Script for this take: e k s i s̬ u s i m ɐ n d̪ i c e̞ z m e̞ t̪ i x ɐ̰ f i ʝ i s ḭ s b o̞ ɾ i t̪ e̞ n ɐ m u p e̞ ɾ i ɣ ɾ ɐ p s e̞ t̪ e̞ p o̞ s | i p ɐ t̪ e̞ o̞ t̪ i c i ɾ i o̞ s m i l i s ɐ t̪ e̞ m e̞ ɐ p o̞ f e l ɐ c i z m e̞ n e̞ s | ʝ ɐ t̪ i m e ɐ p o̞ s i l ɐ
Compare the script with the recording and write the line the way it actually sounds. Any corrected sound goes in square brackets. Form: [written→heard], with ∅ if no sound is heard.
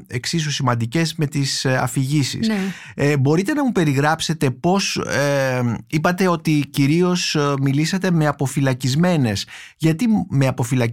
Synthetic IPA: e k s i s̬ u s i m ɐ n d̪ i c e̞ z m e̞ t̪ i [x→s] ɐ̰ f i ʝ i s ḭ s b o̞ ɾ i t̪ e̞ n ɐ m u p e̞ ɾ i ɣ ɾ ɐ p s e̞ t̪ e̞ p o̞ s | i p ɐ t̪ e̞ o̞ t̪ i c i ɾ i o̞ s m i l i s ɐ t̪ e̞ m e̞ ɐ p o̞ f [e→i] l ɐ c i z m e̞ n e̞ s | ʝ ɐ t̪ i m e ɐ p o̞ [s→f] i l ɐ